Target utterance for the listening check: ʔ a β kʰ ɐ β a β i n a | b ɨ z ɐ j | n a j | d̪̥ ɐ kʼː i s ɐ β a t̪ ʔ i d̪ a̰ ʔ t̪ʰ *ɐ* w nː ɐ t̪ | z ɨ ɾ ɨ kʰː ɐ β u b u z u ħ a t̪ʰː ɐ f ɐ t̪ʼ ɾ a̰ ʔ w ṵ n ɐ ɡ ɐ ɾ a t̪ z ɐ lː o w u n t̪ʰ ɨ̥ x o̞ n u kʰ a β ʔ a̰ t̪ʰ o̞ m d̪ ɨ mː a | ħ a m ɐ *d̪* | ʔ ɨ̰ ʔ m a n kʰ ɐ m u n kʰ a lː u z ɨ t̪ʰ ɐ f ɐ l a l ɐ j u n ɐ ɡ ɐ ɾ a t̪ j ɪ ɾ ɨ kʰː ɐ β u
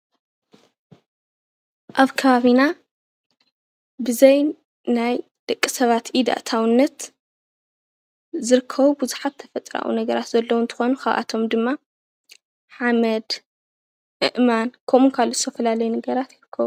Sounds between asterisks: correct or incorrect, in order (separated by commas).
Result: incorrect, correct